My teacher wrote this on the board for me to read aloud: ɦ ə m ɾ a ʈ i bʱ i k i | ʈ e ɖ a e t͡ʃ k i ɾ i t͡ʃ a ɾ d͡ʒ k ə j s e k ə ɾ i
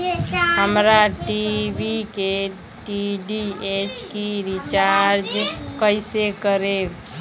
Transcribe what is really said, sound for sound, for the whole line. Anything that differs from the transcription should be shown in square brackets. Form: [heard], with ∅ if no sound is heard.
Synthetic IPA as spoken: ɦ ə m ɾ a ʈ i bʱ i k [e] | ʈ [i] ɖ [i] e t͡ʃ k i ɾ i t͡ʃ a ɾ d͡ʒ k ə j s e k ə ɾ [e]

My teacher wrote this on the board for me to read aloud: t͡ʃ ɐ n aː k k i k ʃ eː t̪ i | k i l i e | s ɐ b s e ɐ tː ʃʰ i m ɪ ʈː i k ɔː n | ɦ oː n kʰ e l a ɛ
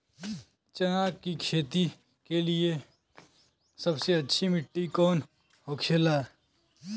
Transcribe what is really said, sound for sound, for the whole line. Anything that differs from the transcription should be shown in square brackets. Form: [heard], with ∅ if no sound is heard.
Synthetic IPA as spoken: t͡ʃ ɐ n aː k k i k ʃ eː t̪ i | k [e] l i e | s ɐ b s e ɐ tː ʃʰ i m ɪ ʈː i k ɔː n | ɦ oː [∅] kʰ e l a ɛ

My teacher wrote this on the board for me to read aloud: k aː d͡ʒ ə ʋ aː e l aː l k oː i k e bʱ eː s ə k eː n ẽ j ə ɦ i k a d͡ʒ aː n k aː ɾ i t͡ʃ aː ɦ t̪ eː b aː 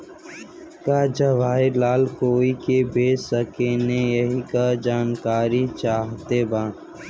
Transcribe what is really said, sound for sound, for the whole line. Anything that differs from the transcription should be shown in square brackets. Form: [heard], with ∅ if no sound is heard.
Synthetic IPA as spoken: k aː d͡ʒ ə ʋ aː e l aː l k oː i k e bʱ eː s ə k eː n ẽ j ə ɦ i k a d͡ʒ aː n k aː ɾ i t͡ʃ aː ɦ t̪ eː b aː

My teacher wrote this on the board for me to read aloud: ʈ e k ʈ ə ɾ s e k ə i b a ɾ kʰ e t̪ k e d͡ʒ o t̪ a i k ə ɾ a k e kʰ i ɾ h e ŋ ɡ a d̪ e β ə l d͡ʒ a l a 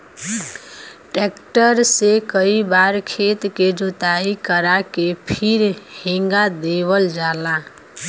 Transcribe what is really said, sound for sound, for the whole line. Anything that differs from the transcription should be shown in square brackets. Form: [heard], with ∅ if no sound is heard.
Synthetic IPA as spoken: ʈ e k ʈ ə ɾ s e k ə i b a ɾ kʰ e t̪ k e d͡ʒ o t̪ a i k ə ɾ a k e [pʰ] i ɾ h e ŋ ɡ a d̪ e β ə l d͡ʒ a l a

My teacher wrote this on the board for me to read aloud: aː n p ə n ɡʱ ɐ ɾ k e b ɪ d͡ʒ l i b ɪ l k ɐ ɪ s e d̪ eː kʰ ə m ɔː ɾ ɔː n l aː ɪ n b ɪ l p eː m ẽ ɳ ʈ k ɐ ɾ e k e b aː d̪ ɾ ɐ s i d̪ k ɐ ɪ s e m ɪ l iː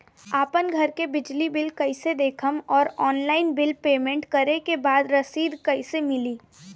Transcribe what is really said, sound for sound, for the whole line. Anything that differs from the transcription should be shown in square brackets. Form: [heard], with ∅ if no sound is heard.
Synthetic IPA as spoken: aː [∅] p ə n ɡʱ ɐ ɾ k e b ɪ d͡ʒ l i b ɪ l k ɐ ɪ s e d̪ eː kʰ ə m ɔː ɾ ɔː n l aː ɪ n b ɪ l p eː m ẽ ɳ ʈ k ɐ ɾ e k e b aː d̪ ɾ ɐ s [iː] d̪ k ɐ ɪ s e m ɪ l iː

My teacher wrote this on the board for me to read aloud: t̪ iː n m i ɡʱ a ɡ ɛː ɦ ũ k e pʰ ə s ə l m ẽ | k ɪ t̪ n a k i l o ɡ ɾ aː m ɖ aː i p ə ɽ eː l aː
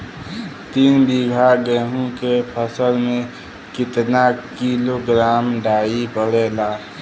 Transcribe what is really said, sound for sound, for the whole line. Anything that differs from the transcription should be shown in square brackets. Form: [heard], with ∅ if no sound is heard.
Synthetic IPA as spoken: t̪ iː n [b] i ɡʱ a ɡ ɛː ɦ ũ k e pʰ ə s ə l m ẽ | k ɪ t̪ n a k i l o ɡ ɾ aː m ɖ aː i p ə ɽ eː l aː

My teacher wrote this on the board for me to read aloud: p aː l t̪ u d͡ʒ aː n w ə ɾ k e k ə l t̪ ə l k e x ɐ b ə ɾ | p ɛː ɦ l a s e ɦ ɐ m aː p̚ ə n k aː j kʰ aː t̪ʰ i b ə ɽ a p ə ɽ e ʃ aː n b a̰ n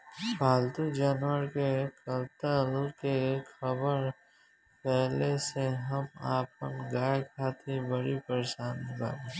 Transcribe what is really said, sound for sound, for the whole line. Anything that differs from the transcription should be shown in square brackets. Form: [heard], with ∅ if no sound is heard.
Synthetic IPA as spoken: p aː l t̪ u d͡ʒ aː n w ə ɾ k e k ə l t̪ ə l k e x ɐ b ə ɾ | p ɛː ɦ l [e] s e ɦ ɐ m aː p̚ ə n [ɡ] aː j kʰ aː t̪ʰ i b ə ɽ [i] p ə [ɾ] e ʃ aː n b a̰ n

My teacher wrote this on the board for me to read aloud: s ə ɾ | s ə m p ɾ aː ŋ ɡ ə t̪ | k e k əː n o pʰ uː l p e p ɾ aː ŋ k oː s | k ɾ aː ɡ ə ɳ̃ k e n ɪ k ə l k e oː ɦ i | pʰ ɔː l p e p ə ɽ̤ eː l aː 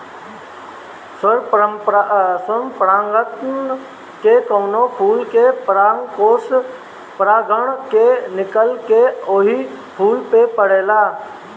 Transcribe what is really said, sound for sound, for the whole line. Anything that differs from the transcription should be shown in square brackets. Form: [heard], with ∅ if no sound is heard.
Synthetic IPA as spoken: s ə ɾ | s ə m p ɾ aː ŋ ɡ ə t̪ | k e k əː n o pʰ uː l [k] e p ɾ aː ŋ k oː s | [p] ɾ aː ɡ ə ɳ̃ k e n ɪ k ə l k e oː ɦ i | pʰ [uː] l p e p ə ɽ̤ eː l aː

